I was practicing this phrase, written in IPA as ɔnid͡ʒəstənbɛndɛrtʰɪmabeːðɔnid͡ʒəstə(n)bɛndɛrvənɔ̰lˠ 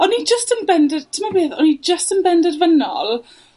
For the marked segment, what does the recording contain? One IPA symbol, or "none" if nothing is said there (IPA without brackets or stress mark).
n